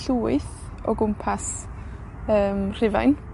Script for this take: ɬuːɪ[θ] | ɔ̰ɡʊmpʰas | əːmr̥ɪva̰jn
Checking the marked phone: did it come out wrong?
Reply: no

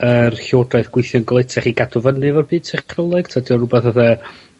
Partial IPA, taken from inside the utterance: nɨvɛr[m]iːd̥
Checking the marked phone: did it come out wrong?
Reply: yes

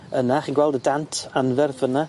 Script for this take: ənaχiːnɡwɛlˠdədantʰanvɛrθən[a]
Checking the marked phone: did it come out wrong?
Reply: no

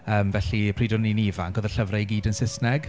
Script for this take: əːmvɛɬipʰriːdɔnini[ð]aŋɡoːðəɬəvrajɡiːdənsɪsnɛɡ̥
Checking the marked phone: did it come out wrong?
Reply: yes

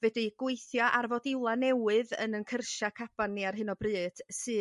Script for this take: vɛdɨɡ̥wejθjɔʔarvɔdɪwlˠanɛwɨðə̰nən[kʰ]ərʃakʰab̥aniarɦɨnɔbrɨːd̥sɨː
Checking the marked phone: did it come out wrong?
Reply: no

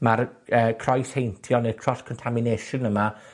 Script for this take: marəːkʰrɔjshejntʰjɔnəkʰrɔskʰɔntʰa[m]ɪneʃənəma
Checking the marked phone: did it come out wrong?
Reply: no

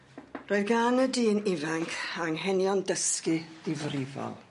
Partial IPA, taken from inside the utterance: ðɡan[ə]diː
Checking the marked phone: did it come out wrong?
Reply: no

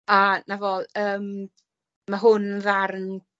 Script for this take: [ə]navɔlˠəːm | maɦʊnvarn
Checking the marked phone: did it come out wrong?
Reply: yes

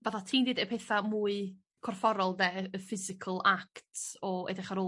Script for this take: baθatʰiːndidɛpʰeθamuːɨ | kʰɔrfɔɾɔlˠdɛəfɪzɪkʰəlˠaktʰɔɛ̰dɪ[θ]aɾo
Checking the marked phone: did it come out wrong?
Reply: yes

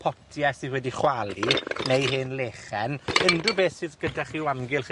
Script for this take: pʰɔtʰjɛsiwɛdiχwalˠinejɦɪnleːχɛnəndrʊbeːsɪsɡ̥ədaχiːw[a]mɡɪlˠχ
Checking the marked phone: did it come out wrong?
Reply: no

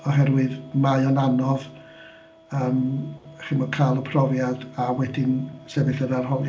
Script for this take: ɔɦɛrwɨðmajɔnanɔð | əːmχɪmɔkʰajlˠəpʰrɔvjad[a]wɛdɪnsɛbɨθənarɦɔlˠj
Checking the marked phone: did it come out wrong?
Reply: no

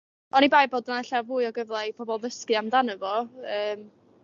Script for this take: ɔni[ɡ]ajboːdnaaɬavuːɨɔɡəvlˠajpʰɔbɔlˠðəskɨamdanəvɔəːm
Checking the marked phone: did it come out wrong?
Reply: yes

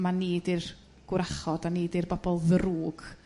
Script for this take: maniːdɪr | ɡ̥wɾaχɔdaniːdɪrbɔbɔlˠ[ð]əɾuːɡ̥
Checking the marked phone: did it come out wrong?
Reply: no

